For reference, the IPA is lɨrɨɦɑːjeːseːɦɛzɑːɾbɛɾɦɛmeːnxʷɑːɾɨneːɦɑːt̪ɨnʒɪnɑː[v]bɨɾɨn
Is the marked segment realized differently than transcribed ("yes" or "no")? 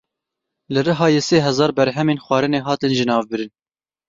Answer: no